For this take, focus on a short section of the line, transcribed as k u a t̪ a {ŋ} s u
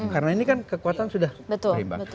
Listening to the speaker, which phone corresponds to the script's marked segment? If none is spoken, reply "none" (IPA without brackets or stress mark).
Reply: n